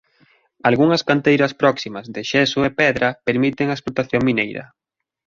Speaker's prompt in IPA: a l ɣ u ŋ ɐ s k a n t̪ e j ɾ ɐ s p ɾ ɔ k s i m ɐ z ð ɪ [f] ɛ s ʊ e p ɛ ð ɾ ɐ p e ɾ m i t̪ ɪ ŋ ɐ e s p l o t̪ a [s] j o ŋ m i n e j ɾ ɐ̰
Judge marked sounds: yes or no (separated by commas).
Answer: no, no